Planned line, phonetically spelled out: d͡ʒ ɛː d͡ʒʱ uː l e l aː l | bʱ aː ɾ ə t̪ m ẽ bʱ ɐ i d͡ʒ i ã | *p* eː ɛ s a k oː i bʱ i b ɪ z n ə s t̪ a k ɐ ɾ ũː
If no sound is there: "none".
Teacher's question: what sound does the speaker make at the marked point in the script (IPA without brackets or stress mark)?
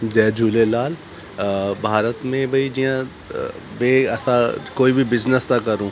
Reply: b